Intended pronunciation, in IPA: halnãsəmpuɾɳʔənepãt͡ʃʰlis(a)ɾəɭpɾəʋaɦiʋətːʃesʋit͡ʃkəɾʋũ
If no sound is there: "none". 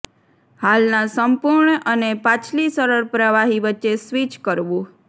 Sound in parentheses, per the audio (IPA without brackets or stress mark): ə